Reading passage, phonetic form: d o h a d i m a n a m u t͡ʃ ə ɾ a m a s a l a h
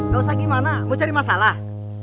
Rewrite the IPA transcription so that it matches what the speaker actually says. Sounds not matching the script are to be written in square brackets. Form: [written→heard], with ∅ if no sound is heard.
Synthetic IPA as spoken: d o [h→s] a [d→ɡ] i m a n a m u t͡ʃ [ə→a] ɾ [a→i] m a s a l a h